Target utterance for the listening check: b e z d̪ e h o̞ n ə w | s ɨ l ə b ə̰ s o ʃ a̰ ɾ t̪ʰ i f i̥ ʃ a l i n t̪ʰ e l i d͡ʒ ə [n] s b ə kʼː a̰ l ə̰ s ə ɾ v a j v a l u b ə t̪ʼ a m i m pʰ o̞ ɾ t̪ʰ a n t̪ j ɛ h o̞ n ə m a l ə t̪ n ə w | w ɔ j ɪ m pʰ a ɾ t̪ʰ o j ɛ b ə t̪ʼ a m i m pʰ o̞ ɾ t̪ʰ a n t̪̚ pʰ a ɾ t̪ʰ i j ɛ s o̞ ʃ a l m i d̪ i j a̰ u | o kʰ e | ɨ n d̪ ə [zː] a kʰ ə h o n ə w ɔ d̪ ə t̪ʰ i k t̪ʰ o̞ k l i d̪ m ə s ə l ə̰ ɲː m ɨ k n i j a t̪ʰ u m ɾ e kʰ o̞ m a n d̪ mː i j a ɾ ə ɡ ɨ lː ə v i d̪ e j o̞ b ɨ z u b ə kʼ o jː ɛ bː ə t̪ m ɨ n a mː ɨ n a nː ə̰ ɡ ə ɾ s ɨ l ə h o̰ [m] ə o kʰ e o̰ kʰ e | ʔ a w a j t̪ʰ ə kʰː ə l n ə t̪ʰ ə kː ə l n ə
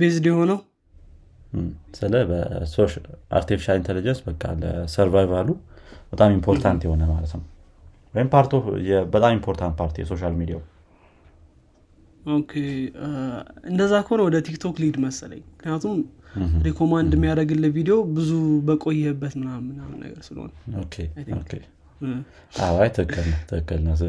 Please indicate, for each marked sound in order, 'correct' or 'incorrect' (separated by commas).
correct, correct, incorrect